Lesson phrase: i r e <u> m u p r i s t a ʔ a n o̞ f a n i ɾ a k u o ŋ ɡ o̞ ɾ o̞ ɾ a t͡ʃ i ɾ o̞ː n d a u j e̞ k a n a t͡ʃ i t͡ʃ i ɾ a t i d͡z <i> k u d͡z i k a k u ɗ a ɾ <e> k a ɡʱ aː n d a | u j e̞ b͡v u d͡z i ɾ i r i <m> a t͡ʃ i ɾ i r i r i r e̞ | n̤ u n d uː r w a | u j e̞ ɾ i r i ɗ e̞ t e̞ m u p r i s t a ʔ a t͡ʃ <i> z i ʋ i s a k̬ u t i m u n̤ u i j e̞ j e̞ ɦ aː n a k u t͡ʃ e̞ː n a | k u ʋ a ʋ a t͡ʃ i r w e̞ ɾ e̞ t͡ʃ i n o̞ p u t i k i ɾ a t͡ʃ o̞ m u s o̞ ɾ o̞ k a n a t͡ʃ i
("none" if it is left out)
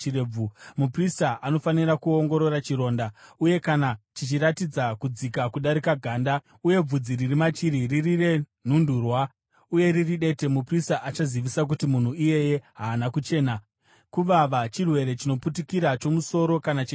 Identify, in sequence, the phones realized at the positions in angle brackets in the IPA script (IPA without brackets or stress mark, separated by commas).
u, a, i, m, a